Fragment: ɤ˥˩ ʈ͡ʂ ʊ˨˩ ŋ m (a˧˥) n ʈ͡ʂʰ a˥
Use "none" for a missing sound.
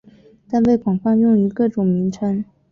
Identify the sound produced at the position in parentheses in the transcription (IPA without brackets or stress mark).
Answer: i˧˥